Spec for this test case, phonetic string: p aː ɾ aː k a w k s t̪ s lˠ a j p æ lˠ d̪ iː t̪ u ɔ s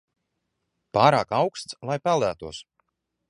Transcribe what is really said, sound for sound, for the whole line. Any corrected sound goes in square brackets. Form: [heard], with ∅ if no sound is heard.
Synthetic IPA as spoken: p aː ɾ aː k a w k s t̪ s lˠ a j p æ lˠ d̪ [æː] t̪ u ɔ s